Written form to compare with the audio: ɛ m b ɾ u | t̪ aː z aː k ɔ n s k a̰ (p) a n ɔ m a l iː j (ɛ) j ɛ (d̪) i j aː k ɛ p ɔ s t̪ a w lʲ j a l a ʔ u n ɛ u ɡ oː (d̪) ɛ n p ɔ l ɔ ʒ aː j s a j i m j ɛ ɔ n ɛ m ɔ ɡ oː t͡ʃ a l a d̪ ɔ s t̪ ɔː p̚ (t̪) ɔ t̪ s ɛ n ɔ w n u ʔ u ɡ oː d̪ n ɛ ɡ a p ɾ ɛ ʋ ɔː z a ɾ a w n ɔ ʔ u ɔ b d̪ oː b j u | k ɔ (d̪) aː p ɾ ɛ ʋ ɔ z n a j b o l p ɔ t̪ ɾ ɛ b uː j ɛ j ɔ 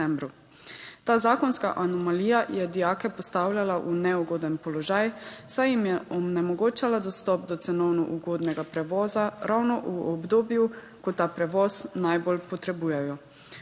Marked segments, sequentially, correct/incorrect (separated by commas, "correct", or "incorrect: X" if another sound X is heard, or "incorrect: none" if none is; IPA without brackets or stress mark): incorrect: ʔ, incorrect: a, correct, correct, incorrect: d̪, incorrect: t̪